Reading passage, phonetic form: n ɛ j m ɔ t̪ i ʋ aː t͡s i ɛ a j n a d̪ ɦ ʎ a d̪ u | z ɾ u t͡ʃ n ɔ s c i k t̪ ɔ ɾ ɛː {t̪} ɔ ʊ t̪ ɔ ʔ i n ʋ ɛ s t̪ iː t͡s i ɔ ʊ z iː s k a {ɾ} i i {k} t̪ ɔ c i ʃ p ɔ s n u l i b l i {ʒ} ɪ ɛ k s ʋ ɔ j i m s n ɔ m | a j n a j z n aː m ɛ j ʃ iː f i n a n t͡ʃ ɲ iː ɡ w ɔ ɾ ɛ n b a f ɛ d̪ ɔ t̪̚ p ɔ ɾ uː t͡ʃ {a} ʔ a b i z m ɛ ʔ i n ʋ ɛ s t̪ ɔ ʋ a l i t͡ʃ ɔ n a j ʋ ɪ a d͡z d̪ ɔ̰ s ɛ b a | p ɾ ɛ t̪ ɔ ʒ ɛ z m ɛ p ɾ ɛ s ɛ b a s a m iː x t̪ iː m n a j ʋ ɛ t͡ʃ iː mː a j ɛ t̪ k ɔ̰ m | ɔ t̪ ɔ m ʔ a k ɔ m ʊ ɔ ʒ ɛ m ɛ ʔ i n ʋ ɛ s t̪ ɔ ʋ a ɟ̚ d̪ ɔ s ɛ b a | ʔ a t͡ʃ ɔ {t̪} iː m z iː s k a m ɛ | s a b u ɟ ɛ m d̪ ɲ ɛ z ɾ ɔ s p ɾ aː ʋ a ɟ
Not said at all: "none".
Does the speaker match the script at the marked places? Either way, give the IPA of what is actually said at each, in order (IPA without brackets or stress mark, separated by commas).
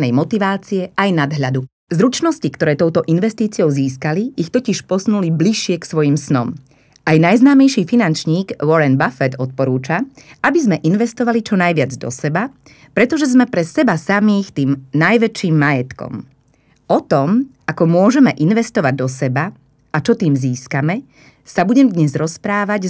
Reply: t̪, l, x, ʃ, a, t̪